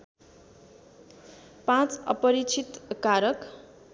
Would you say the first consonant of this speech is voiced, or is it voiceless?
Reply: voiceless